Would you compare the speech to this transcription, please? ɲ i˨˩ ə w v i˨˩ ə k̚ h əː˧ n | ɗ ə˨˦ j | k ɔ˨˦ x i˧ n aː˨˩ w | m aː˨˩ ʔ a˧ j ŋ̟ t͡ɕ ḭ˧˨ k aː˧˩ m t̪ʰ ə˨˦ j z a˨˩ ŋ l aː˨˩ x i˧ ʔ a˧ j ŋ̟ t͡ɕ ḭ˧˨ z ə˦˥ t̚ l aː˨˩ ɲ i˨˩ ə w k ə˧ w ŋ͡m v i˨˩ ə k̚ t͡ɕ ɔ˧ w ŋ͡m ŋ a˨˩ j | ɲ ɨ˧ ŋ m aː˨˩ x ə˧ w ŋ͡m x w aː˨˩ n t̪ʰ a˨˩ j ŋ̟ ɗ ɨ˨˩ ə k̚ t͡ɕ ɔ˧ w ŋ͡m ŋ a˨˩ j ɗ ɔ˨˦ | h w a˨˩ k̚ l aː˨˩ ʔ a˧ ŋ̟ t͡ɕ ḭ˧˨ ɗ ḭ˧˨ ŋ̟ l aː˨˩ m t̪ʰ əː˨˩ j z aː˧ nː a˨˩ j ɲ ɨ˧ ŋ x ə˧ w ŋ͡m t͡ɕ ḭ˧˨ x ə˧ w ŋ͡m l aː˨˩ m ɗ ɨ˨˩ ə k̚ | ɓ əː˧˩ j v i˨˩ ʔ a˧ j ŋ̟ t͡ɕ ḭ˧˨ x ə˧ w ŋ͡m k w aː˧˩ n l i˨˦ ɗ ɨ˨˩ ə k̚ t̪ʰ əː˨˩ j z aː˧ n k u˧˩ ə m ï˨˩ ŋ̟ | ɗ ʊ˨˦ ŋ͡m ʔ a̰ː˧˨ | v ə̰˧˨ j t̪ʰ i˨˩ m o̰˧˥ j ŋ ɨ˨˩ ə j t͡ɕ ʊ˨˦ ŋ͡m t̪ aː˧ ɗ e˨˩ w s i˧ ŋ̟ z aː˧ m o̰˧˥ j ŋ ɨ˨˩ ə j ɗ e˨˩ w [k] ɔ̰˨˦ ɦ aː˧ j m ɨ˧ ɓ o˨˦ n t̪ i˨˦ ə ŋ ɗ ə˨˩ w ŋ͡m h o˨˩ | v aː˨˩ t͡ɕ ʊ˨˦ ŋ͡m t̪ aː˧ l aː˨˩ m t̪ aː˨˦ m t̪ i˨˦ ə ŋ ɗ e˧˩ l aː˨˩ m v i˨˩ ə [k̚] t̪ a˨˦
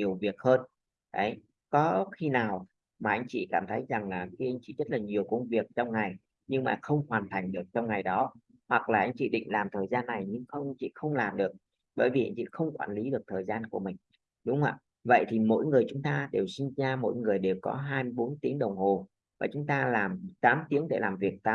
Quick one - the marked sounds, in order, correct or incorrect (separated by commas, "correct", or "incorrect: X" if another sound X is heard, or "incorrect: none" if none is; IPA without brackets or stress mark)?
correct, correct